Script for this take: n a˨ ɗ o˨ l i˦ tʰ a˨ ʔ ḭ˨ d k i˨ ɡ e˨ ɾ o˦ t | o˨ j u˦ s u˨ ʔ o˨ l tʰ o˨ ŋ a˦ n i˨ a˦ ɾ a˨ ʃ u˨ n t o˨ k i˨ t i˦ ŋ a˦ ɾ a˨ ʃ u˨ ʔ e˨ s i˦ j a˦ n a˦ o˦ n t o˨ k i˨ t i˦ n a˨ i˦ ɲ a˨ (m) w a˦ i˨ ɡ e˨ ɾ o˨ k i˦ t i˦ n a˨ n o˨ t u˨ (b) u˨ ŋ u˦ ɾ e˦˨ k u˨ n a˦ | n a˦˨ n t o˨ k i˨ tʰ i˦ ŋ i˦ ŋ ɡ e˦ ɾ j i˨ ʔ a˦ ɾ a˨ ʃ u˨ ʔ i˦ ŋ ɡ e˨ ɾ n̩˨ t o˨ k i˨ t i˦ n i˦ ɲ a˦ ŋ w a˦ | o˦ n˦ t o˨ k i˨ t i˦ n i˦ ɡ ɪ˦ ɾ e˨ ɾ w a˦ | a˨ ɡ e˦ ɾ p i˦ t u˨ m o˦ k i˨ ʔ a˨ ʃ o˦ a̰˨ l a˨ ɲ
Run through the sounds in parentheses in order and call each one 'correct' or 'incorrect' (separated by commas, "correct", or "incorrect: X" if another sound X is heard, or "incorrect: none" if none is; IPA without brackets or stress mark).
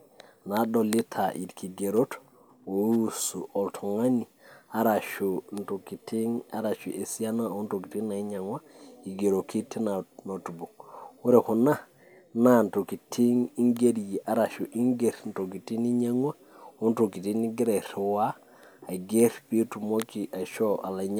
incorrect: ŋ, correct